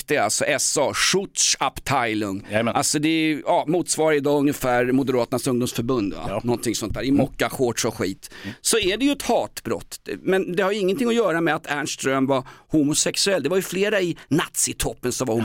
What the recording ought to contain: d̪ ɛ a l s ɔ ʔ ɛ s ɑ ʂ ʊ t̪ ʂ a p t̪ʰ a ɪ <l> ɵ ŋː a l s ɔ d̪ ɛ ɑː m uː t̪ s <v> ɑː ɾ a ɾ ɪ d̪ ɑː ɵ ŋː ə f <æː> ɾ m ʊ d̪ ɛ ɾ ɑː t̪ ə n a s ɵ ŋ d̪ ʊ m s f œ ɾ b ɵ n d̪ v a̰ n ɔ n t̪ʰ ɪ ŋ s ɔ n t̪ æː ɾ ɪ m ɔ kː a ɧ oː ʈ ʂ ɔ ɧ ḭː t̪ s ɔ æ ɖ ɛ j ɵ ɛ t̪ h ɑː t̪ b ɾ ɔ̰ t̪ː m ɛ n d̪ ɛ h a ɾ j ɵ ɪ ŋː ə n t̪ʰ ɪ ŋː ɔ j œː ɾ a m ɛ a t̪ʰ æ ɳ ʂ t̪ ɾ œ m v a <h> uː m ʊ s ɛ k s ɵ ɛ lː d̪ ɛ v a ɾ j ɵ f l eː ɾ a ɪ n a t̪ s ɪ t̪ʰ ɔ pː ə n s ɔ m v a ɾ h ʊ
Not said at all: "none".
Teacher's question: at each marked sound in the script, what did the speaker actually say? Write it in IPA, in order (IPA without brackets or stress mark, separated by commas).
l, v, æː, h